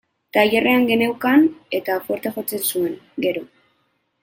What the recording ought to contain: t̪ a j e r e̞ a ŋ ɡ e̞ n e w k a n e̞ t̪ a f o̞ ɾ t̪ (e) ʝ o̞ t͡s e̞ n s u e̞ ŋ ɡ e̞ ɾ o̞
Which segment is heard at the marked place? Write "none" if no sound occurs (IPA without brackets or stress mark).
e